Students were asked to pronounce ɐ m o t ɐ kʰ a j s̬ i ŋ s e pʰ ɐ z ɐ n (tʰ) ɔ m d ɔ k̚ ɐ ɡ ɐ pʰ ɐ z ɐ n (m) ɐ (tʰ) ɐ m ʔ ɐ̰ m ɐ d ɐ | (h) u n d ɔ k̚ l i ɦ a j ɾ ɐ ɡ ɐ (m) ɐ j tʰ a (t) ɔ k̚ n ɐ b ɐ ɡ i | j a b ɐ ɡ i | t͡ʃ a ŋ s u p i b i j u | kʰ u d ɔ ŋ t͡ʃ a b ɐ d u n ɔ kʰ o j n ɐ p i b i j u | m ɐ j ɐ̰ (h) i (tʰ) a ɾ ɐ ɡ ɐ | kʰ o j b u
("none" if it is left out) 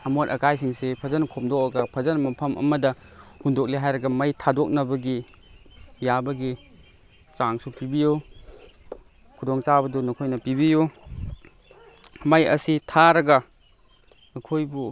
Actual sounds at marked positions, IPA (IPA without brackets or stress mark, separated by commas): kʰ, m, pʰ, h, m, d, s, tʰ